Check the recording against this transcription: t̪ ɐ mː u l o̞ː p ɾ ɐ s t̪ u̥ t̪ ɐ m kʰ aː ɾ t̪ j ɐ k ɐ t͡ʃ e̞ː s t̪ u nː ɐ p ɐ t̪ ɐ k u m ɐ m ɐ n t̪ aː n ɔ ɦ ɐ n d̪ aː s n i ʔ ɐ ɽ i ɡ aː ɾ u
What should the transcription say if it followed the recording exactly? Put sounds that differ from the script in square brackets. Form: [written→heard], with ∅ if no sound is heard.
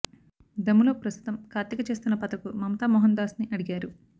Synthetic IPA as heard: [t̪→d̪] ɐ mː u l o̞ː p ɾ ɐ s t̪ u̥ t̪ ɐ m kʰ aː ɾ t̪ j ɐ k ɐ t͡ʃ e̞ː s t̪ u nː ɐ p ɐ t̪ ɐ k u m ɐ m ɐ [n→∅] t̪ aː [n→m] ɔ ɦ ɐ n d̪ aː s n i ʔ ɐ ɽ i ɡ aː ɾ u

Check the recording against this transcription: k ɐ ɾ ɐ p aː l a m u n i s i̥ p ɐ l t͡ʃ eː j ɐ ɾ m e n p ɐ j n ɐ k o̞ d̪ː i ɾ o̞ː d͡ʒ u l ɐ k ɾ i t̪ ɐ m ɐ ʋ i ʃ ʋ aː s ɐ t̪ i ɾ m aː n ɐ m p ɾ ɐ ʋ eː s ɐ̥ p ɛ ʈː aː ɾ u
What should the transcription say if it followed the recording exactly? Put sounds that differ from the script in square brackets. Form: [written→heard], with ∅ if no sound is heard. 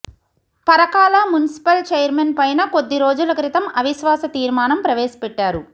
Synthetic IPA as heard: [k→p] ɐ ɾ ɐ [p→k] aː l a m u n i s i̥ p ɐ l t͡ʃ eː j ɐ ɾ m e n p ɐ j n ɐ k o̞ d̪ː i ɾ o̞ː d͡ʒ u l ɐ k ɾ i t̪ ɐ m ɐ ʋ i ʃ ʋ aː s ɐ t̪ [i→iː] ɾ m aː n ɐ m p ɾ ɐ ʋ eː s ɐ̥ p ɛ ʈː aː ɾ u

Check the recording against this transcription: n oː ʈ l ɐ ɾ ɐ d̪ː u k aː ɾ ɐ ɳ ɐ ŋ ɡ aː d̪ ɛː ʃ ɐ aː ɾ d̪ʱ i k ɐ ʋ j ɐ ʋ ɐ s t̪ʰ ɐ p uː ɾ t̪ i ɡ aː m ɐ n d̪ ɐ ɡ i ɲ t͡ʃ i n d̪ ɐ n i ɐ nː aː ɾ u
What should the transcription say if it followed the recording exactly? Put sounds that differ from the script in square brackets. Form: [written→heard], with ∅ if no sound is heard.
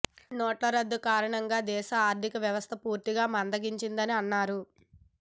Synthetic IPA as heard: n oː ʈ l ɐ ɾ ɐ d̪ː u k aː ɾ ɐ ɳ ɐ ŋ ɡ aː d̪ ɛː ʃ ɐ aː ɾ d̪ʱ i k ɐ ʋ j ɐ ʋ ɐ s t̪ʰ ɐ p uː ɾ t̪ i ɡ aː m ɐ n d̪ ɐ ɡ i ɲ t͡ʃ i n d̪ ɐ n i ɐ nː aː ɾ u

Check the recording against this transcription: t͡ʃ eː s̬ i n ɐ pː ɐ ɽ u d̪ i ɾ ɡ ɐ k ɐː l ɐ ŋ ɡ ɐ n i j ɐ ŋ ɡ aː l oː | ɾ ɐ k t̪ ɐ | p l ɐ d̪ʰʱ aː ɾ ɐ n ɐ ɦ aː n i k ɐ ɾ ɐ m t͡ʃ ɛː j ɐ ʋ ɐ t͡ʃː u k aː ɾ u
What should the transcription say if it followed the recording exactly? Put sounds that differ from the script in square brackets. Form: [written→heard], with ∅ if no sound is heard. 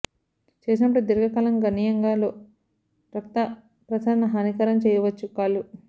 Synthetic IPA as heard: t͡ʃ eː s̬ i n ɐ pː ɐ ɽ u d̪ i ɾ ɡ ɐ k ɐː l ɐ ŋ ɡ ɐ n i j ɐ ŋ ɡ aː l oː | ɾ ɐ k t̪ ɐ | p [l→ɾ] ɐ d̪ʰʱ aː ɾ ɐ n ɐ ɦ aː n i k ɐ ɾ ɐ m t͡ʃ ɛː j ɐ ʋ ɐ t͡ʃː u k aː [ɾ→l] u

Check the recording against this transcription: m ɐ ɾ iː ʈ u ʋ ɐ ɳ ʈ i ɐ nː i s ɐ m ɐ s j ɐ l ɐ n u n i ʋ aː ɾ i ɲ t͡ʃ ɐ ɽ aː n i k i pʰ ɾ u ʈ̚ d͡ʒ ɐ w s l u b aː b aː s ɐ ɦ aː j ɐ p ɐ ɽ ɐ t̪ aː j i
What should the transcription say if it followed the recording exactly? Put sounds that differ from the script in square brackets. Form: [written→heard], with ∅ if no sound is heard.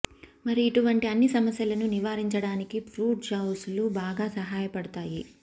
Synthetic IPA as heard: m ɐ ɾ iː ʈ u ʋ ɐ ɳ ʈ i ɐ nː i s ɐ m ɐ s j ɐ l ɐ n u n i ʋ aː ɾ i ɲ t͡ʃ ɐ ɽ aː n i k i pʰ ɾ [u→uː] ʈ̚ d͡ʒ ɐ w s l u b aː [b→ɡ] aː s ɐ ɦ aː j ɐ p ɐ ɽ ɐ t̪ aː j i

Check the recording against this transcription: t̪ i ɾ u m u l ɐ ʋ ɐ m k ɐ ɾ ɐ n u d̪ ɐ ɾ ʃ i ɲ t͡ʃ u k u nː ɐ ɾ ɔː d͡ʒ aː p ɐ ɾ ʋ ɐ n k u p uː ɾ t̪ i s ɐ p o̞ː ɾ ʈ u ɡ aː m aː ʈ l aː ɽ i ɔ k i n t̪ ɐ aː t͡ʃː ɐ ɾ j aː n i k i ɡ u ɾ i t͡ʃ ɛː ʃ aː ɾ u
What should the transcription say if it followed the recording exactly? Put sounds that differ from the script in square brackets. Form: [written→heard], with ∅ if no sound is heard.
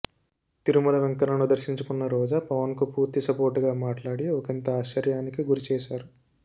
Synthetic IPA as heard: t̪ i ɾ u m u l ɐ ʋ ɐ [m→ŋ] k ɐ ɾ ɐ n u d̪ ɐ ɾ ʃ i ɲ t͡ʃ u k u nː ɐ ɾ ɔː d͡ʒ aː p ɐ [ɾ→∅] ʋ ɐ n k u p uː ɾ t̪ i s ɐ p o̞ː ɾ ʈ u ɡ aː m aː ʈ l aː ɽ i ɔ k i n t̪ ɐ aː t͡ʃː ɐ ɾ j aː n i k i ɡ u ɾ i t͡ʃ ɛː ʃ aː ɾ u

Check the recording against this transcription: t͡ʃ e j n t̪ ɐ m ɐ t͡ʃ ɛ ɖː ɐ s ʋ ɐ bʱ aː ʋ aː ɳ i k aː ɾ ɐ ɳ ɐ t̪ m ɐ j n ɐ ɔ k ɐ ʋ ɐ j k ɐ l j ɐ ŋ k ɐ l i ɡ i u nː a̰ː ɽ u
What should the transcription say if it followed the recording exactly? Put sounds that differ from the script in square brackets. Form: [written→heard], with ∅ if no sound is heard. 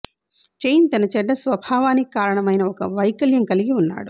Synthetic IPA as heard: t͡ʃ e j n t̪ ɐ [m→n] ɐ t͡ʃ ɛ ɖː ɐ s ʋ ɐ bʱ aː ʋ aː [ɳ→n] i k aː ɾ ɐ ɳ ɐ [t̪→∅] m ɐ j n ɐ ɔ k ɐ ʋ ɐ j k ɐ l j ɐ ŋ k ɐ l i ɡ i u nː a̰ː ɽ u

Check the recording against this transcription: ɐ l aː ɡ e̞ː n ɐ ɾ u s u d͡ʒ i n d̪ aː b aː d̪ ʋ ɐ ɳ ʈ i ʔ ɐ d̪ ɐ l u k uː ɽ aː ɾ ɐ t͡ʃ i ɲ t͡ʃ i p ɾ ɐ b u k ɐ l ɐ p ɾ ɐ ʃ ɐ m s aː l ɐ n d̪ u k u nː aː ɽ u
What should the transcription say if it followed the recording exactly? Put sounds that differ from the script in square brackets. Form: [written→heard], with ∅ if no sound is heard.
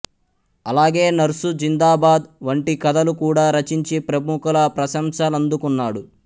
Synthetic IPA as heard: ɐ l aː ɡ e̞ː n ɐ ɾ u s u d͡ʒ i n d̪ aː b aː d̪ ʋ ɐ ɳ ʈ i [ʔ→k] ɐ d̪ ɐ l u k uː ɽ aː ɾ ɐ t͡ʃ i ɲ t͡ʃ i p ɾ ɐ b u k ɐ l ɐ p ɾ ɐ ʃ ɐ m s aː l ɐ n d̪ u k u nː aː ɽ u

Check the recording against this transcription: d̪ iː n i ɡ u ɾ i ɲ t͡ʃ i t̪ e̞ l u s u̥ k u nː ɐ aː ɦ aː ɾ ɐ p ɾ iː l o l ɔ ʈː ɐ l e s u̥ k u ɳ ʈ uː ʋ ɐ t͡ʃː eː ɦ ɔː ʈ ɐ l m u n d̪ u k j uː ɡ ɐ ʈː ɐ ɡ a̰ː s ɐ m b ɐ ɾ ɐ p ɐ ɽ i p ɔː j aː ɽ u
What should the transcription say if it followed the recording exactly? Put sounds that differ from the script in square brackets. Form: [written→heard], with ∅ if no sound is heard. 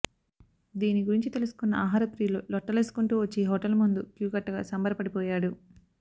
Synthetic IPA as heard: d̪ iː n i ɡ u ɾ i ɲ t͡ʃ i t̪ e̞ l u s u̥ k u nː ɐ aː ɦ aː ɾ ɐ p ɾ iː l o l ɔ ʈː ɐ l e s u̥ k u ɳ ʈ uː ʋ ɐ t͡ʃː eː ɦ ɔː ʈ ɐ l m u n d̪ u k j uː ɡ ɐ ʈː ɐ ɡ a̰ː s ɐ m b ɐ ɾ ɐ p ɐ ɽ i p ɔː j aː ɽ u

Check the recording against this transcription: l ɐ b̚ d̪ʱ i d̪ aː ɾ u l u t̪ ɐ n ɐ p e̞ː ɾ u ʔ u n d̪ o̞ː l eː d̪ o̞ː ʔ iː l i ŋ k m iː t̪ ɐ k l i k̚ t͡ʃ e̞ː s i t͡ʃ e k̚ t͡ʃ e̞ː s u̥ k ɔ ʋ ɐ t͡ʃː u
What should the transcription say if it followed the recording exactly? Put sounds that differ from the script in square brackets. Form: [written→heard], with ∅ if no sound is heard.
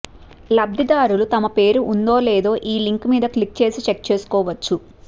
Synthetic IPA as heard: l ɐ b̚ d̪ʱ i d̪ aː ɾ u l u t̪ ɐ [n→m] ɐ p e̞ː ɾ u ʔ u n d̪ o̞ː l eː d̪ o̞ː ʔ iː l i ŋ k m iː [t̪→d̪] ɐ k l i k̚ t͡ʃ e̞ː s i t͡ʃ e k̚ t͡ʃ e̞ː s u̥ k [ɔ→ɔː] ʋ ɐ t͡ʃː u

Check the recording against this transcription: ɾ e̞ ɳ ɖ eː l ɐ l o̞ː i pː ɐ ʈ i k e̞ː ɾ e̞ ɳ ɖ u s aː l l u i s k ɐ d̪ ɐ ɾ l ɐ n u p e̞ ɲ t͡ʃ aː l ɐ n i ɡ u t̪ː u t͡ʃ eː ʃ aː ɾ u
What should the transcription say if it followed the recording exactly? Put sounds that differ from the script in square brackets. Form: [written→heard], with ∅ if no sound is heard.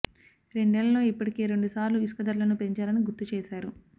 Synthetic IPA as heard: ɾ e̞ ɳ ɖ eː l ɐ l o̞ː i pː ɐ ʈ i k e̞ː ɾ e̞ ɳ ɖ u s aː [l→ɾ] l u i s k ɐ d̪ ɐ ɾ l ɐ n u p e̞ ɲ t͡ʃ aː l ɐ n i ɡ u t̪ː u t͡ʃ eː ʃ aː ɾ u

